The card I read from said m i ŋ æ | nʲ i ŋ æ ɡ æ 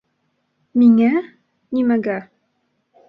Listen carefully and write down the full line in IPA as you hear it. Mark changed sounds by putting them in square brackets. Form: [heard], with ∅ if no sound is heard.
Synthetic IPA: m i ŋ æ | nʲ i [m] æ ɡ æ